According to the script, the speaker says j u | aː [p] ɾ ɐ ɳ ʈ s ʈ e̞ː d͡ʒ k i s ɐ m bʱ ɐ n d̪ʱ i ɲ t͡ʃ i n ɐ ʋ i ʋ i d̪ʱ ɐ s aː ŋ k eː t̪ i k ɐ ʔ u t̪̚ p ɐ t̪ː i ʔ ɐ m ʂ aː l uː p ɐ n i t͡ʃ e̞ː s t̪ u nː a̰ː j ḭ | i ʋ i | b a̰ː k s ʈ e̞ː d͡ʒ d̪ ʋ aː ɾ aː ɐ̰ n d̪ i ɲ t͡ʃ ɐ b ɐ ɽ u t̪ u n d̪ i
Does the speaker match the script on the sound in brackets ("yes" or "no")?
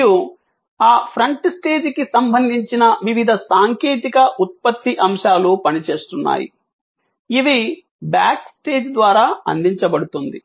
no